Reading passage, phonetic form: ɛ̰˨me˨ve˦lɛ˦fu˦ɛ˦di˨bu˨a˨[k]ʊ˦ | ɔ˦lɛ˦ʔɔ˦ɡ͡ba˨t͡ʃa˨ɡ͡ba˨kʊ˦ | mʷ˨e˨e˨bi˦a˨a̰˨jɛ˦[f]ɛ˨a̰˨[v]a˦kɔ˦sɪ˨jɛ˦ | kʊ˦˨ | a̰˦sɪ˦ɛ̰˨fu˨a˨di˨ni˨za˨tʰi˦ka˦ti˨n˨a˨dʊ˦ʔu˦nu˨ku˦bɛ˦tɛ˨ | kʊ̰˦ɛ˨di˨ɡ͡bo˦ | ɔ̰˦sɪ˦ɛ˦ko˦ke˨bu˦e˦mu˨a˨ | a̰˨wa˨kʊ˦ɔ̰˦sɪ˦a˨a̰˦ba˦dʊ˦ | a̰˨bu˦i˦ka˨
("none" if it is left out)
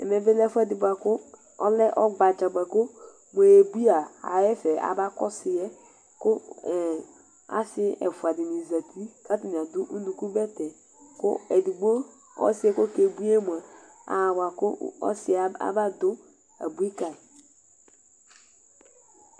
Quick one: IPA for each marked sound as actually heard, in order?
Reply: k, f, b

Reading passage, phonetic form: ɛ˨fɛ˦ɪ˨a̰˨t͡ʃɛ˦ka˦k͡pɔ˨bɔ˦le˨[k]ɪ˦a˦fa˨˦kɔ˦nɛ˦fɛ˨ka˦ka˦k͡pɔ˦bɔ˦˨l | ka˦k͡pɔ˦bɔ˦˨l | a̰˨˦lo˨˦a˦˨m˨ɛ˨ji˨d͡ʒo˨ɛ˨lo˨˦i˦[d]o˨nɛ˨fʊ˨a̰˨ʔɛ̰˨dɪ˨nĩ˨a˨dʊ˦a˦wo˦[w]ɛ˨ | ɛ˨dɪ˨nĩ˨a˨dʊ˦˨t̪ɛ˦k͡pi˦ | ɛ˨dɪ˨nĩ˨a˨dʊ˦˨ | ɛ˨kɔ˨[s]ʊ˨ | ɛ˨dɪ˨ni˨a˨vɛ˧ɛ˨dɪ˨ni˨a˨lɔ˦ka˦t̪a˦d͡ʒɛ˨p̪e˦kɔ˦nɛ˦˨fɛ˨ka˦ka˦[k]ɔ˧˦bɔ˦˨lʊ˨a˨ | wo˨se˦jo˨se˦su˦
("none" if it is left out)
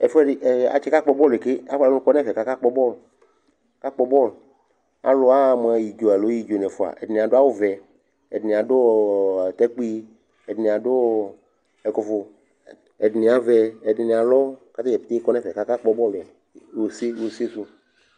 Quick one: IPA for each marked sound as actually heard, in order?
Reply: k, d͡ʒ, v, f, k͡p

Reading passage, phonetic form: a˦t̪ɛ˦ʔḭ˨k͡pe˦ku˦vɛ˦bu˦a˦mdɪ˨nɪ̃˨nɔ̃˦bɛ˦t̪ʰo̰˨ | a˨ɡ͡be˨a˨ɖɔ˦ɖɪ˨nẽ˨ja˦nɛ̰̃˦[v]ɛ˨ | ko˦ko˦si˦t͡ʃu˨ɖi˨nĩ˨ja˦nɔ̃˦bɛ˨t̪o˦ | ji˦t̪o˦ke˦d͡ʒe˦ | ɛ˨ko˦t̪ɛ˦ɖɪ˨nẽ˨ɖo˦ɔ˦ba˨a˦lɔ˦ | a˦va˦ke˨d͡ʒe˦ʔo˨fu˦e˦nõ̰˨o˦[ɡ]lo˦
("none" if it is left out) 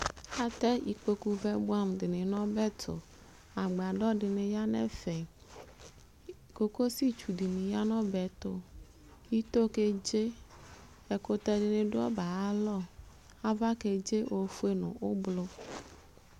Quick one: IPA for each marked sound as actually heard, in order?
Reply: f, b

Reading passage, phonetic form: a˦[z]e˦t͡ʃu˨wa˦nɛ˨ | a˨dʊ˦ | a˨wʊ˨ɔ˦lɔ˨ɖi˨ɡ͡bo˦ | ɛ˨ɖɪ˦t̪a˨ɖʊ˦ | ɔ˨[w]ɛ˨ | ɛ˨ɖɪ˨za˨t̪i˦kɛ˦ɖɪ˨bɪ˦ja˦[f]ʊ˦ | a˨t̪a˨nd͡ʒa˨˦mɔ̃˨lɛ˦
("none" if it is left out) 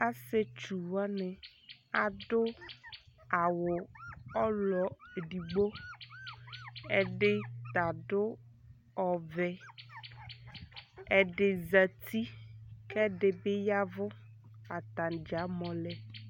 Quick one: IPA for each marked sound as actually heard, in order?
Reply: s, v, v

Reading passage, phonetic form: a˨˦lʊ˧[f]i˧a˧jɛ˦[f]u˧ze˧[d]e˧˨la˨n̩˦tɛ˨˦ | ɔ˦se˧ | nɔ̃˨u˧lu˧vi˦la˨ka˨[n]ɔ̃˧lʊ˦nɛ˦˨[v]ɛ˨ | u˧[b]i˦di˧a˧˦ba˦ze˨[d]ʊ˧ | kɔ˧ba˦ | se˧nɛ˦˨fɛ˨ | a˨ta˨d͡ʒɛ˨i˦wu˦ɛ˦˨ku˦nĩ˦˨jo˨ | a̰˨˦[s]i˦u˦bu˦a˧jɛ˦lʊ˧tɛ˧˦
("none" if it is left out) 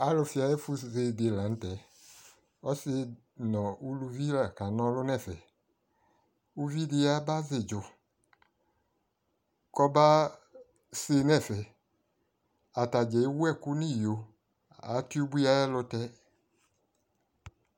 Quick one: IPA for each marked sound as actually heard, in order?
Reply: f, f, d, n, f, v, d͡ʒ, t

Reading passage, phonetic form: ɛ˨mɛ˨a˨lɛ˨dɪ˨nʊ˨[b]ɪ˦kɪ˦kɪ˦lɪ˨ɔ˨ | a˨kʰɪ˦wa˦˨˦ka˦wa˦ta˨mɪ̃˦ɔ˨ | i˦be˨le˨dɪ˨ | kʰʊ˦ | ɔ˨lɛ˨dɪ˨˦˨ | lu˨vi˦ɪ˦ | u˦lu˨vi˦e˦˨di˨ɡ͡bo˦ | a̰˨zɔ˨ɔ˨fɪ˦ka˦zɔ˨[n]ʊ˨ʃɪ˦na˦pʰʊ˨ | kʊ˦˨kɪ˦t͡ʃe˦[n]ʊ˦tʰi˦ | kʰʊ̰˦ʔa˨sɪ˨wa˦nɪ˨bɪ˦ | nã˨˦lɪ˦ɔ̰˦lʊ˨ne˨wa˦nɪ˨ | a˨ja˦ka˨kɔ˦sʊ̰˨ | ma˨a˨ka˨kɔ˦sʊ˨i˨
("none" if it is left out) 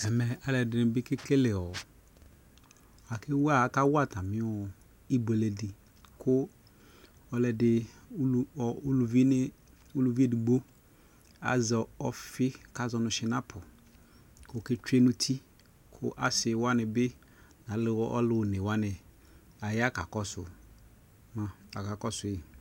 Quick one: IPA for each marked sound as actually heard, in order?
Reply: b, n, n

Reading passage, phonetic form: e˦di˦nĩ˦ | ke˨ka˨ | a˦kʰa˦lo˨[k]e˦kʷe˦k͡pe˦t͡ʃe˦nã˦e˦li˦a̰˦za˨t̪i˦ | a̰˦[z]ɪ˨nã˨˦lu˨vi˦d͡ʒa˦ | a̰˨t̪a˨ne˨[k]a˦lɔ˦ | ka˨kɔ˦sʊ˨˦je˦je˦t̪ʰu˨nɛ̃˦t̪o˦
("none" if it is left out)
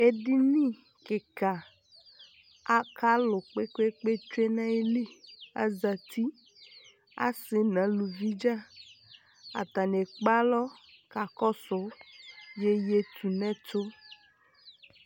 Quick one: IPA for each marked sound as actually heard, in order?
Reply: k͡p, s, k͡p

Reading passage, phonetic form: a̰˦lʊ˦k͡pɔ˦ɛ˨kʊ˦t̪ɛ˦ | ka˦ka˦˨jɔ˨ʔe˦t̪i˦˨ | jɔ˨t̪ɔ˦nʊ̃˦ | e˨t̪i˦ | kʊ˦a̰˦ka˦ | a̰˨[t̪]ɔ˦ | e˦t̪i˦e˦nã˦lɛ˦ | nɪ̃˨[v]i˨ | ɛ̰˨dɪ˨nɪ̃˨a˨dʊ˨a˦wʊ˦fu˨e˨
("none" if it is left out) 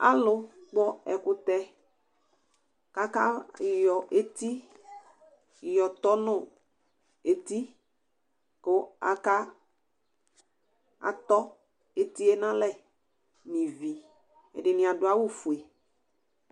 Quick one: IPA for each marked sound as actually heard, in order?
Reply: t̪, v

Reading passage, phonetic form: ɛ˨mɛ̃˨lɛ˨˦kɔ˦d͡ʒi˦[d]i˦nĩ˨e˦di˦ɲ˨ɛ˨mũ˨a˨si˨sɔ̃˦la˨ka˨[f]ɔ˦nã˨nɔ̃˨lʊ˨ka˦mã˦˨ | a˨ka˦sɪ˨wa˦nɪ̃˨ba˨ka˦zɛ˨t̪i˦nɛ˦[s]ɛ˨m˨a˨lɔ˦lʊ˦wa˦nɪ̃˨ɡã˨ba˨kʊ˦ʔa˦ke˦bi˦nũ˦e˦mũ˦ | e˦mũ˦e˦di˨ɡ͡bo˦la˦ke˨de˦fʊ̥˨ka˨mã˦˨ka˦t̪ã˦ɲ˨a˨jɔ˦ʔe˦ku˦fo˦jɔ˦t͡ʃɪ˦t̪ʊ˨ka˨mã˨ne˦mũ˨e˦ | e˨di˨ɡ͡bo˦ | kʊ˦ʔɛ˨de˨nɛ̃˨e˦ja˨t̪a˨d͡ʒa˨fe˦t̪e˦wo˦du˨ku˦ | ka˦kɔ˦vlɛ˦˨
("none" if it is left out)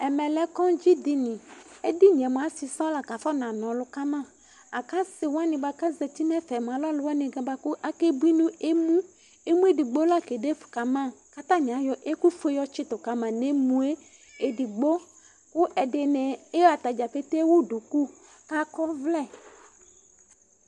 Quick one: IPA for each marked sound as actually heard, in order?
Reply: d, f, f

